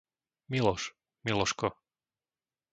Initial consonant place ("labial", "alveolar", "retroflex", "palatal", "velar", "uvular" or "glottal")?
labial